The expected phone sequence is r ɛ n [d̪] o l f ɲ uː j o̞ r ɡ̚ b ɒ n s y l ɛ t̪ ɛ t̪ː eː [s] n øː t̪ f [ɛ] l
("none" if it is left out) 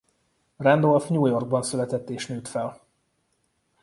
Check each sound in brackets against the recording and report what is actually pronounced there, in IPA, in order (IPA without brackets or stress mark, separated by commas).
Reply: d̪, ʃ, ɛ